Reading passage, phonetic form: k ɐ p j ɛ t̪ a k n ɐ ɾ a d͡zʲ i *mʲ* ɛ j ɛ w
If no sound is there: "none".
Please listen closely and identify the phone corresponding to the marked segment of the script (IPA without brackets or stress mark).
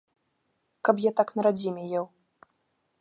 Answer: mʲ